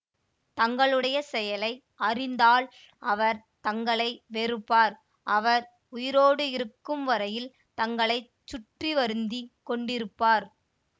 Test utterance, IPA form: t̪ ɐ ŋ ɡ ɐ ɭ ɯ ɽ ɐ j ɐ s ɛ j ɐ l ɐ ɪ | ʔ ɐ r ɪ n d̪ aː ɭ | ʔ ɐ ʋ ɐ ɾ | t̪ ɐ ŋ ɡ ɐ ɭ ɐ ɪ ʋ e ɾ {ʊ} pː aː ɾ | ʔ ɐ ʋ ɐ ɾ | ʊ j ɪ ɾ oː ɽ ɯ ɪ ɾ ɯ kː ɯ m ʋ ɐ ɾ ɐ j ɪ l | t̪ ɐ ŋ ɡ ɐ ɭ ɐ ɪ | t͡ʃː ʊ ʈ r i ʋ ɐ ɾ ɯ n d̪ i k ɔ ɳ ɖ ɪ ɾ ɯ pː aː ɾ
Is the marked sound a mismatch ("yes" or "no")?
yes